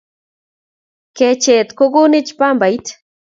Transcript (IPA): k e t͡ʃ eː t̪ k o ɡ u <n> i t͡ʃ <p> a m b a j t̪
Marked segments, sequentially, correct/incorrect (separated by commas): correct, correct